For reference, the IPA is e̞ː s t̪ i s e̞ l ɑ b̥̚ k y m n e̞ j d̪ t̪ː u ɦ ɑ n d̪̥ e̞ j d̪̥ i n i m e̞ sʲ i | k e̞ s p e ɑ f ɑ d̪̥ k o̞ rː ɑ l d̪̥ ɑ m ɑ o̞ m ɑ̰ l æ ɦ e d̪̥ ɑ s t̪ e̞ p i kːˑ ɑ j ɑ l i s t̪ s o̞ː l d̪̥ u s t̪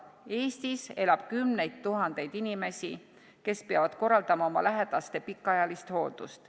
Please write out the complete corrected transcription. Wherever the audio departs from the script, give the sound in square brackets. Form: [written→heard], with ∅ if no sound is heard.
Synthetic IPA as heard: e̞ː s t̪ i s e̞ l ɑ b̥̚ k y m n e̞ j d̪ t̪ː u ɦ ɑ n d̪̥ e̞ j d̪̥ i n i m e̞ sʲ i | k e̞ s p e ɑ [f→v] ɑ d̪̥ k o̞ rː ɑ l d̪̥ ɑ m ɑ o̞ m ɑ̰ l æ ɦ e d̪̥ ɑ s t̪ e̞ p i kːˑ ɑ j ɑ l i s t̪ [s→h] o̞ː l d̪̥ u s t̪